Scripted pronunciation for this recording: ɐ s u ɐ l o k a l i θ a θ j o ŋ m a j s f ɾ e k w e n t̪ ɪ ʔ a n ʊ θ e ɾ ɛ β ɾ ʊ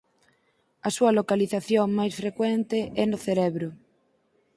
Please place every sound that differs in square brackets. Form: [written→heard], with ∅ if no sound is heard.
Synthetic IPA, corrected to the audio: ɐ s u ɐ l o k a l i θ a θ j o ŋ m a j s f ɾ e k w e n t̪ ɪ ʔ [a→ɛ] n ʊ θ e ɾ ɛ β ɾ ʊ